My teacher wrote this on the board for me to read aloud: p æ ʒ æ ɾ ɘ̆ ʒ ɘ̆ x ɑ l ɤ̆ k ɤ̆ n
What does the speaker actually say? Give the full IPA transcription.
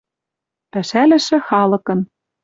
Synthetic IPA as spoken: p æ ʃ æ l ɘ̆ ʃ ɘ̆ x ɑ l ɤ̆ k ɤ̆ n